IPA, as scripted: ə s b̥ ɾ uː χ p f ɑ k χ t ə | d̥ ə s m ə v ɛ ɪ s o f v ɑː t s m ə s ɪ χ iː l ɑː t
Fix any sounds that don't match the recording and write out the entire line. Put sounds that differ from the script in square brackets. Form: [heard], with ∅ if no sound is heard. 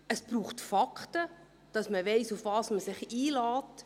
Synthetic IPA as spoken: ə s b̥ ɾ uː χ [t] f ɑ k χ t ə | d̥ [ɑ] s m ə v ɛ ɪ s [u] f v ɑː [∅] s m ə s ɪ χ iː l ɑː t